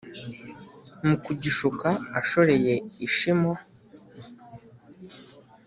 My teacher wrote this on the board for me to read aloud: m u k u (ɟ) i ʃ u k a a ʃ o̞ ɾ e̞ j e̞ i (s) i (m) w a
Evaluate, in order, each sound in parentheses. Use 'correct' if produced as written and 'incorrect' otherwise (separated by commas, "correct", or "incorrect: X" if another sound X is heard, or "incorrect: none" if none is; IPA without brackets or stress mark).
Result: correct, incorrect: ʃ, correct